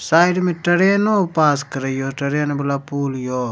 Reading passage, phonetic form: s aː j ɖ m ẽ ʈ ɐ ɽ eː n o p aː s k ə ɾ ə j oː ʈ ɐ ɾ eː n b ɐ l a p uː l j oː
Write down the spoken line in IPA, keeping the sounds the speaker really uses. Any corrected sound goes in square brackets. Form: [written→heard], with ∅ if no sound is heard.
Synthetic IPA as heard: s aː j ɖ m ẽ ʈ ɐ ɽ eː n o p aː s k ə ɾ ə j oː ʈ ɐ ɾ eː n b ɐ l a p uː l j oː